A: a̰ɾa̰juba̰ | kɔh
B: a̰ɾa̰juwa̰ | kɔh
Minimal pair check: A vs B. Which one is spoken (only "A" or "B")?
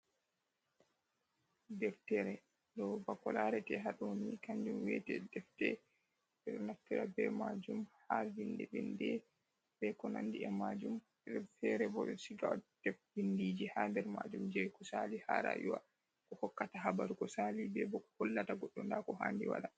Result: B